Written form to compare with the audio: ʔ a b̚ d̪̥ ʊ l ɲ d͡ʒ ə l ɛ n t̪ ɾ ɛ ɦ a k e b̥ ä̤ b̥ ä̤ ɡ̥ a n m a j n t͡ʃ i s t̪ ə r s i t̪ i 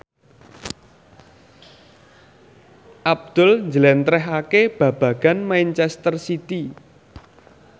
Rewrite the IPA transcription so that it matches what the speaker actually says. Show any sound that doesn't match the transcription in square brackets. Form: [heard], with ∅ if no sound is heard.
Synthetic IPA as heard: ʔ a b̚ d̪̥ ʊ l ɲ d͡ʒ ə l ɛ n t̪ ɾ ɛ ɦ a k e b̥ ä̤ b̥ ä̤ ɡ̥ a n m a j n t͡ʃ [ɛ] s t̪ ə r s i t̪ i